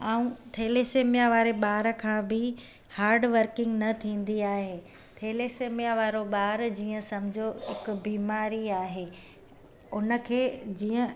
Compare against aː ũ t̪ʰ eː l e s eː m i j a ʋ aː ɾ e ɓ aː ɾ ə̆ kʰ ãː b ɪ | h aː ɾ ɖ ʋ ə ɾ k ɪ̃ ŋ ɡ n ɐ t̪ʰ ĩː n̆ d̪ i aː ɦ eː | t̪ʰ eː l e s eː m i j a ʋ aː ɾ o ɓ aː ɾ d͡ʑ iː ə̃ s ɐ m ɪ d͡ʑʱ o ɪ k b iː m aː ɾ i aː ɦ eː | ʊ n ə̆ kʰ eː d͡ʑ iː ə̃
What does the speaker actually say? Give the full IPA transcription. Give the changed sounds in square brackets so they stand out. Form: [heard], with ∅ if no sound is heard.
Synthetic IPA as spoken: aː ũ t̪ʰ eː l e s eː m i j a ʋ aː ɾ e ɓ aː ɾ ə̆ kʰ ãː b ɪ | h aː ɾ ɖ ʋ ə ɾ k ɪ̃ ŋ ɡ n ɐ t̪ʰ ĩː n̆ d̪ i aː ɦ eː | t̪ʰ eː l e s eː m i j a ʋ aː ɾ o ɓ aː ɾ d͡ʑ iː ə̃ s ɐ m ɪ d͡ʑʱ o ɪ k b iː m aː ɾ i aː ɦ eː | ʊ n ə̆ kʰ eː d͡ʑ iː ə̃